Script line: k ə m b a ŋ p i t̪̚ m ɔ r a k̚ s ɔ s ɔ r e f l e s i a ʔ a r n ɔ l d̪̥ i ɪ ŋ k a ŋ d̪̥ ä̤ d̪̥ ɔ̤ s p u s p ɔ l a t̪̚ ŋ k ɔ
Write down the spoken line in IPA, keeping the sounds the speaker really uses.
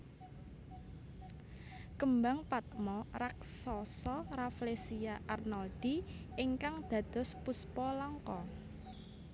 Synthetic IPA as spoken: k ə m b a ŋ p a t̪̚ m ɔ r a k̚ s ɔ s ɔ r a f l e s i a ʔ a r n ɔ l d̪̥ i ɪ ŋ k a ŋ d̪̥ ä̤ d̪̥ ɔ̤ s p u s p ɔ l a ŋ k ɔ